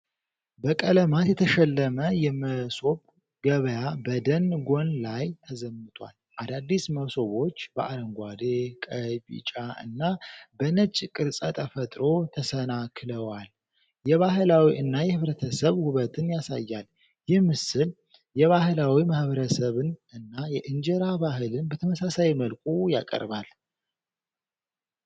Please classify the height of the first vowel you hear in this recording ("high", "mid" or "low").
mid